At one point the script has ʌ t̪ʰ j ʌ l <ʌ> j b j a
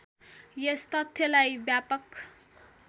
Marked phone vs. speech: incorrect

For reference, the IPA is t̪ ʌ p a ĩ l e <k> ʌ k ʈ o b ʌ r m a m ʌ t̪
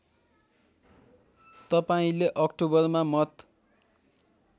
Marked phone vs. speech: incorrect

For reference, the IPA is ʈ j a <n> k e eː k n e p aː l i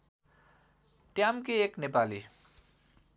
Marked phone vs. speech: incorrect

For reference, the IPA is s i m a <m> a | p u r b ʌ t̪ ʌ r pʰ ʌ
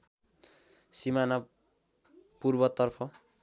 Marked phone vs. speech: incorrect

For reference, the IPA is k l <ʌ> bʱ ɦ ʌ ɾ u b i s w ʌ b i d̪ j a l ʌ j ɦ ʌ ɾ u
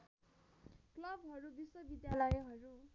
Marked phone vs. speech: correct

